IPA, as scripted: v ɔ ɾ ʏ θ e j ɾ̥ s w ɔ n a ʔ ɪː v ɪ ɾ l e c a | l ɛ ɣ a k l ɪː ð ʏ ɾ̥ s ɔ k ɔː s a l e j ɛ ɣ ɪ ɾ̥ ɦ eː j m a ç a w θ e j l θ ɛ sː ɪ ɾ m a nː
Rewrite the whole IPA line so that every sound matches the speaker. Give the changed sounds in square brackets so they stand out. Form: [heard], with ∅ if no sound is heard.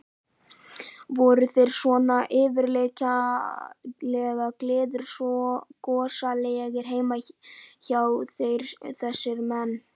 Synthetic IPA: v ɔ ɾ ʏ θ e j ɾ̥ s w ɔ n a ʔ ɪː v ɪ ɾ l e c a | l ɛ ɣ a k l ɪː ð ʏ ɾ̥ s ɔ k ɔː s a l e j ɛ ɣ ɪ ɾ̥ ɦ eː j m a ç a w θ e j [ɾ] θ ɛ sː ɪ ɾ m [ɛ] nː

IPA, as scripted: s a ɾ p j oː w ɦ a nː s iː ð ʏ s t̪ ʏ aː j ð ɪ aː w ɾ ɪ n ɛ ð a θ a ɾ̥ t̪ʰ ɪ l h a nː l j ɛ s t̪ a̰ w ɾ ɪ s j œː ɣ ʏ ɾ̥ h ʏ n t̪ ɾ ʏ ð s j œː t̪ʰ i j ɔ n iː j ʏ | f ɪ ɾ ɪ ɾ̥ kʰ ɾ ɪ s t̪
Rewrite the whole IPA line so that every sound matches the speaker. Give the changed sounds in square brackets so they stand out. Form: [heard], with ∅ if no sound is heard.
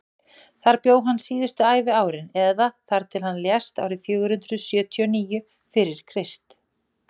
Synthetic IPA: [θ] a ɾ p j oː w ɦ a nː s iː ð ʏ s t̪ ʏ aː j [v] ɪ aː w ɾ ɪ n ɛ ð a θ a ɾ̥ t̪ʰ ɪ l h a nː l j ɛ s t̪ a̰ w ɾ ɪ [f] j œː ɣ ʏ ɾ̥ h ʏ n t̪ ɾ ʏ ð s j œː t̪ʰ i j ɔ n iː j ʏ | f ɪ ɾ ɪ ɾ̥ kʰ ɾ ɪ s t̪

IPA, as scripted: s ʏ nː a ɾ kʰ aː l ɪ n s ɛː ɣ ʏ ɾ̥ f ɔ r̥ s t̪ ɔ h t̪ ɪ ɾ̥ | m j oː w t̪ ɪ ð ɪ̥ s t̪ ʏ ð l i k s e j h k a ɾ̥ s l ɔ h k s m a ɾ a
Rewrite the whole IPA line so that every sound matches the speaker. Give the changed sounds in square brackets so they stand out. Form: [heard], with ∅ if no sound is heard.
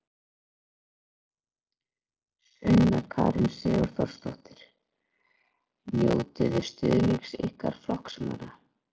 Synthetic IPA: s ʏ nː a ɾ kʰ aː [ɾ] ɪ n s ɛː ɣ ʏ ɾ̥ [θ] ɔ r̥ s t̪ ɔ h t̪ ɪ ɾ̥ | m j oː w t̪ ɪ ð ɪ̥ s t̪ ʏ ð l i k s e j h k a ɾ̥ [f] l ɔ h k s m a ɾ a

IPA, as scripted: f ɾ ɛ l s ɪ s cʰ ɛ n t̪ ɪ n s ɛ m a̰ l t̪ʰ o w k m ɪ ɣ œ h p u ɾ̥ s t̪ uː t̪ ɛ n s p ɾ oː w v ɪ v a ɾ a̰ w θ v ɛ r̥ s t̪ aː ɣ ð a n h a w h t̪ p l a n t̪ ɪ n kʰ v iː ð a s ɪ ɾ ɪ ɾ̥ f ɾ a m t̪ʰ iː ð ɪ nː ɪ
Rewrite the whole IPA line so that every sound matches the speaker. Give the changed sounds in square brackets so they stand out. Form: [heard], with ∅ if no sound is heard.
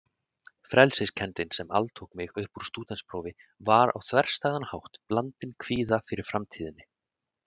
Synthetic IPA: f ɾ ɛ l s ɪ s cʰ ɛ n t̪ ɪ n s ɛ m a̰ l t̪ʰ o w k m ɪ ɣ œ h p u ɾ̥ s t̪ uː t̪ ɛ n s p ɾ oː w v ɪ v a ɾ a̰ w θ v ɛ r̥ s t̪ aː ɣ ð a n h a w h t̪ p l a n t̪ ɪ n kʰ v iː ð a [f] ɪ ɾ ɪ ɾ̥ f ɾ a m t̪ʰ iː ð ɪ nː ɪ

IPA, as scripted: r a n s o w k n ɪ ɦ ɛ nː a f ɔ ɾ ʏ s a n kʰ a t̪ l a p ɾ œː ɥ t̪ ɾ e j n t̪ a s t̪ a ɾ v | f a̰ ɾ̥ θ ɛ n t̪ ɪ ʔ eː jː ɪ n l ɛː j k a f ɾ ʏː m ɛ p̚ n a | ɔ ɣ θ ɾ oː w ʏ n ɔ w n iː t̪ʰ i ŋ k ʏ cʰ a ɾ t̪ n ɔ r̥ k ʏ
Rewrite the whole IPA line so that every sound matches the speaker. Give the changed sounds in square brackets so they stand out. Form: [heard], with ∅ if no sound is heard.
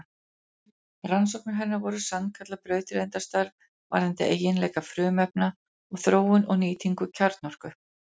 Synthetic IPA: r a n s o w k n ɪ ɦ ɛ nː a [v] ɔ ɾ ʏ s a n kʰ a t̪ l a p ɾ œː ɥ t̪ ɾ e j n t̪ a s t̪ a ɾ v | [v] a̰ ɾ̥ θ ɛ n t̪ ɪ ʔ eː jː ɪ n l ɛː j k a f ɾ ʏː m ɛ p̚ n a | ɔ ɣ θ ɾ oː w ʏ n ɔ [ɣ] n iː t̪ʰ i ŋ k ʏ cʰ a ɾ t̪ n ɔ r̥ k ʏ

